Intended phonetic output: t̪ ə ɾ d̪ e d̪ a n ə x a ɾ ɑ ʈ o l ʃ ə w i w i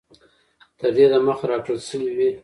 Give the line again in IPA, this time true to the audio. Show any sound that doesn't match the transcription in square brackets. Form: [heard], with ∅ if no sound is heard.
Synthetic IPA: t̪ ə ɾ d̪ e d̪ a [m] ə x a ɾ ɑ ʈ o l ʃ ə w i w i